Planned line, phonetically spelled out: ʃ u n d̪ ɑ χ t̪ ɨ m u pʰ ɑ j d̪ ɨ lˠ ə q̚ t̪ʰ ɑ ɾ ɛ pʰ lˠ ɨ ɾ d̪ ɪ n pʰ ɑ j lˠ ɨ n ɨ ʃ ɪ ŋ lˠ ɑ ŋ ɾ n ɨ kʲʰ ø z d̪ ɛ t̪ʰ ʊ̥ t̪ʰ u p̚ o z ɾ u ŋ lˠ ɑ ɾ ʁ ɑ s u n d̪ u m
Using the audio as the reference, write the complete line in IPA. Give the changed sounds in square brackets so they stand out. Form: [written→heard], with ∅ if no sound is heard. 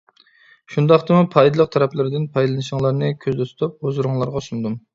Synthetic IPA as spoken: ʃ u n d̪ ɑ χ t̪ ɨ m u pʰ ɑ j d̪ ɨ lˠ ə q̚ t̪ʰ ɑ ɾ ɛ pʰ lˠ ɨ ɾ d̪ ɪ n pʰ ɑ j lˠ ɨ n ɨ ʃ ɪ ŋ lˠ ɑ [ŋ→∅] ɾ n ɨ kʲʰ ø z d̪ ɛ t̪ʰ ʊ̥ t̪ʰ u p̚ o z ɾ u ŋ lˠ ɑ ɾ ʁ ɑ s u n d̪ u m